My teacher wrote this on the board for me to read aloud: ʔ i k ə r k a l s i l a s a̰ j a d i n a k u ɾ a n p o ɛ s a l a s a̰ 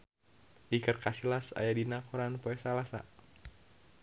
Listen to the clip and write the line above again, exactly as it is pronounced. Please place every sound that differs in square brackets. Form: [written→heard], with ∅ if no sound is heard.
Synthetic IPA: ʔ i k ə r k a [l→∅] s i l a s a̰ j a d i n a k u ɾ a n p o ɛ s a l a s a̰